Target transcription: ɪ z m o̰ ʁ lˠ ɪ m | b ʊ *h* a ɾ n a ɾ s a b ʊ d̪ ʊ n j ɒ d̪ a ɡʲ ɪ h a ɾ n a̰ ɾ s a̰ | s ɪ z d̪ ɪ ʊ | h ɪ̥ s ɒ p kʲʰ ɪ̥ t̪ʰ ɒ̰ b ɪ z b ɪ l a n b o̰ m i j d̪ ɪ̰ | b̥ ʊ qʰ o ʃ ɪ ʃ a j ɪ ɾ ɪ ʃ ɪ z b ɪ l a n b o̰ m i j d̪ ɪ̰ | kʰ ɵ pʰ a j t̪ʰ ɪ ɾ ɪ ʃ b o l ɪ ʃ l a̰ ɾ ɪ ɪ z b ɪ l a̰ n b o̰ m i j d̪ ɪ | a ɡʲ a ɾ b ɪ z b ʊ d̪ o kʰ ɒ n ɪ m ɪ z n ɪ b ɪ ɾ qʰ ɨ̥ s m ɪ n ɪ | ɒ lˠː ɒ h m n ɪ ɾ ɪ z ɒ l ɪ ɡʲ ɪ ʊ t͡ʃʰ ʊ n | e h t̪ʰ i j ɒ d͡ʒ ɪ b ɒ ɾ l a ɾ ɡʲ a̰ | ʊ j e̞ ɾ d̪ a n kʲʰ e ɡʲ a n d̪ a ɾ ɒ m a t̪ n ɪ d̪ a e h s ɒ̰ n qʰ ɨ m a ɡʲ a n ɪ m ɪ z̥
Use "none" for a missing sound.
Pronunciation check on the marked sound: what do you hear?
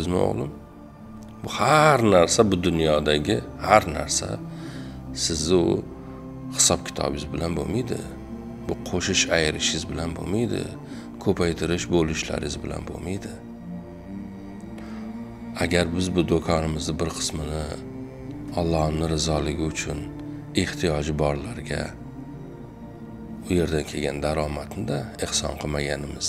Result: h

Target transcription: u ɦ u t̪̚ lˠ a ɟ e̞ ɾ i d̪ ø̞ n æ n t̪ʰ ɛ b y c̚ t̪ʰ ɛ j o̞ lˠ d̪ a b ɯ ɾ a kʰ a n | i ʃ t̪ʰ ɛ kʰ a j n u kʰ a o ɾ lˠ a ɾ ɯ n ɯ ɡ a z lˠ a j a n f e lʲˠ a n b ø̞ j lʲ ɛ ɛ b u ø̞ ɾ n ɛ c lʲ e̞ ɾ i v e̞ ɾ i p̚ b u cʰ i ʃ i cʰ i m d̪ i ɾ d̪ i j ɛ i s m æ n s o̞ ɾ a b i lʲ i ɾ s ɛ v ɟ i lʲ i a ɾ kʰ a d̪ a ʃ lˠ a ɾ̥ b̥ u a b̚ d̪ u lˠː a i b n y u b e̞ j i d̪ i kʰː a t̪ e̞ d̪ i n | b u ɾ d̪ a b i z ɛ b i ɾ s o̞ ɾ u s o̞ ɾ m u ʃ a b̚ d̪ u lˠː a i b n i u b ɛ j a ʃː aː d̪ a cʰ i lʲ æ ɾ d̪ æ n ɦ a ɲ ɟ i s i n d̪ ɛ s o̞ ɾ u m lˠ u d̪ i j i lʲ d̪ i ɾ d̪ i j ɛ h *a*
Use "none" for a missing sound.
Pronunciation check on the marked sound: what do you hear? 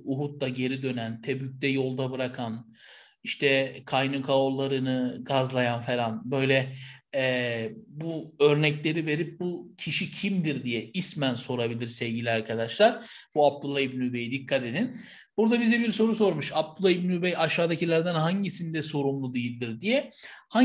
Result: a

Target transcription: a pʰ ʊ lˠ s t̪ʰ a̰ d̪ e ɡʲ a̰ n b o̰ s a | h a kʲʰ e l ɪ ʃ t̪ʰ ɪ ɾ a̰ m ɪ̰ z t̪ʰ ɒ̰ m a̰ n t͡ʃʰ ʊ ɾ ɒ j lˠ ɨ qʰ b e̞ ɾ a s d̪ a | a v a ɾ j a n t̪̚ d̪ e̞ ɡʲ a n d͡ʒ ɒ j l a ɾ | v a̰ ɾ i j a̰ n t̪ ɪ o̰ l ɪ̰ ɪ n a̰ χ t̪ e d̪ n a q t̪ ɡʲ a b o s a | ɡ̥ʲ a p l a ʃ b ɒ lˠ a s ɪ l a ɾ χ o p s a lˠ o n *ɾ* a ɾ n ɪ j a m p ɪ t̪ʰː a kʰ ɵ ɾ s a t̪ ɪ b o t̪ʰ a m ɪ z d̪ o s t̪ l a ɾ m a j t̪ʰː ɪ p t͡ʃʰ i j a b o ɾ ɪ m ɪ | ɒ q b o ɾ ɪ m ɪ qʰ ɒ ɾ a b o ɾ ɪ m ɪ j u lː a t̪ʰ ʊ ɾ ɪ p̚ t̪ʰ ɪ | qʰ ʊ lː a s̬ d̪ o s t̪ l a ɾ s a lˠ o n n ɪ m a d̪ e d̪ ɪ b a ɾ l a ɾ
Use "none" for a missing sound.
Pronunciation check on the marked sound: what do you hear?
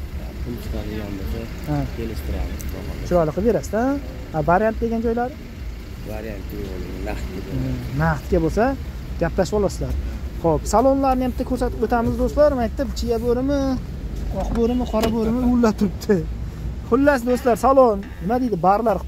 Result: l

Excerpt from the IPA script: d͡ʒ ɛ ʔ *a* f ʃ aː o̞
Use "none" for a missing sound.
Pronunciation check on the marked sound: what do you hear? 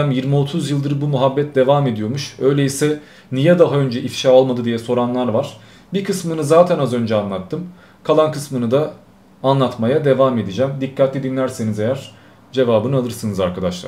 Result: i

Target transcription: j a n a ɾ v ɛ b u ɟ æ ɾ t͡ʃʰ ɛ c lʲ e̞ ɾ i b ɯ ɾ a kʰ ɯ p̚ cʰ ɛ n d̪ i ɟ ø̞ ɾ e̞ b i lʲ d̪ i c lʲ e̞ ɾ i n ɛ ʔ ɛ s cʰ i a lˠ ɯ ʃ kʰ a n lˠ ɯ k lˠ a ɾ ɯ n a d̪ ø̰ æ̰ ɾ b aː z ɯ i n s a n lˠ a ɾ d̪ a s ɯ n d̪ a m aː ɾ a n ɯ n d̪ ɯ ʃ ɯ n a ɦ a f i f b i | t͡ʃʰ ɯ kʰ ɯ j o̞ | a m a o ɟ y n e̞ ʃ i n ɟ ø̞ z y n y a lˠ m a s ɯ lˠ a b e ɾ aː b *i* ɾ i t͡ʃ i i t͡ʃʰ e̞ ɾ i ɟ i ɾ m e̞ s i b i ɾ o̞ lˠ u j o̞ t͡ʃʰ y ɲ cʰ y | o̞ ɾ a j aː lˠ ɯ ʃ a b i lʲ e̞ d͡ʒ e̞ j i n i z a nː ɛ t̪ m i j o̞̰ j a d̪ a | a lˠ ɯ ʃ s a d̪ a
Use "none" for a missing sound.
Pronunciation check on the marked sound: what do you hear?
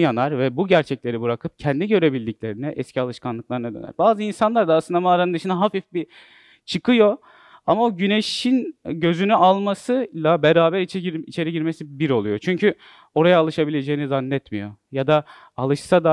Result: æ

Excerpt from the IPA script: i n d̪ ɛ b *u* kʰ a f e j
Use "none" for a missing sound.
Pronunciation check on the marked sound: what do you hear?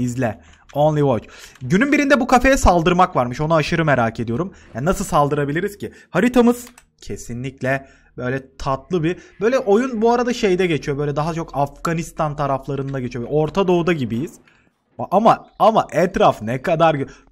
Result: u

